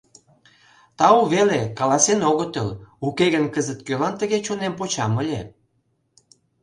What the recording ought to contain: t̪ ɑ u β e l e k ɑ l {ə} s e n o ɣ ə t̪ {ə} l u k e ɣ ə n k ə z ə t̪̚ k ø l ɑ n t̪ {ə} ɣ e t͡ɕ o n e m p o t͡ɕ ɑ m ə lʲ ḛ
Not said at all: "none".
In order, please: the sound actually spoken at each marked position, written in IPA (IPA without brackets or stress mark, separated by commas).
ɑ, ə, ə